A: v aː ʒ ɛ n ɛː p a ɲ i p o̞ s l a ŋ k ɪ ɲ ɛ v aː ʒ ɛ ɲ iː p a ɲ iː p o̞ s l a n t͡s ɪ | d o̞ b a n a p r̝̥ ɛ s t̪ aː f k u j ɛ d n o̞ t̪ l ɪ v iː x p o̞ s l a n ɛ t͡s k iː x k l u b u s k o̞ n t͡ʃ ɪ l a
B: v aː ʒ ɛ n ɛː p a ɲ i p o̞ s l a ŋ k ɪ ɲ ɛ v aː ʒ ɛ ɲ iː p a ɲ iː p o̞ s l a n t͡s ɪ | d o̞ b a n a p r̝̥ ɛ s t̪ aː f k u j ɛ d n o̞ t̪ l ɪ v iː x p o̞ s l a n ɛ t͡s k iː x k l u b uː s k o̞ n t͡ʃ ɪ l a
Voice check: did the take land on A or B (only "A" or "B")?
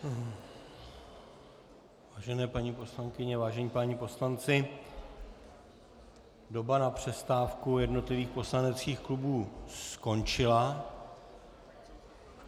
B